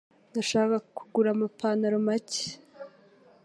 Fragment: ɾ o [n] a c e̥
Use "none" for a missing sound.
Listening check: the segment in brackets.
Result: m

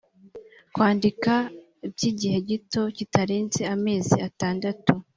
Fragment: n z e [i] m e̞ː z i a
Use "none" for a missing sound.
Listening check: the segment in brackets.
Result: a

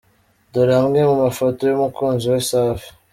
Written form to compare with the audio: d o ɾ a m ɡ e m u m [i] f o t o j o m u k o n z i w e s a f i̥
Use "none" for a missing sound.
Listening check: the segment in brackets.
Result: a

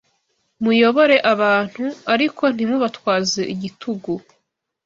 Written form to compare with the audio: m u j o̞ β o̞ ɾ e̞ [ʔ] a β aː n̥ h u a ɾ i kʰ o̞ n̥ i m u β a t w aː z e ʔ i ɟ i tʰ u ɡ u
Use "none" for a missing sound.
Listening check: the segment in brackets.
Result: ʔ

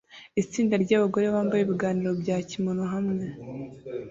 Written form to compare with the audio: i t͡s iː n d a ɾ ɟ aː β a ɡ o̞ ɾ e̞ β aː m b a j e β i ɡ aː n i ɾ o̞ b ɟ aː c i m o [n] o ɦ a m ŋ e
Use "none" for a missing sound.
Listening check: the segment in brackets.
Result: n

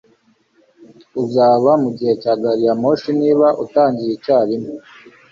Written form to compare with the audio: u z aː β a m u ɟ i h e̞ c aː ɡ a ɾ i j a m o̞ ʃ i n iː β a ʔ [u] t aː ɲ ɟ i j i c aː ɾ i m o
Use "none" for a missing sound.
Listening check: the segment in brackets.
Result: u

